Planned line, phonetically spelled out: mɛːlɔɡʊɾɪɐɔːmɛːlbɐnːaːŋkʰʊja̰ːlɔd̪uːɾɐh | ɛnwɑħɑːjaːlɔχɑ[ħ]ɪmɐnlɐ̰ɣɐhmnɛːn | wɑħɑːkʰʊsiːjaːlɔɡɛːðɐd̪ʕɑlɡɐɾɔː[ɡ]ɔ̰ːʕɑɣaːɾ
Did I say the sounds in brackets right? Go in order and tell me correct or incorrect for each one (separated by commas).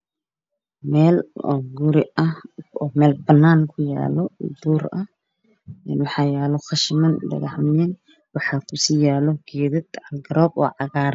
incorrect, incorrect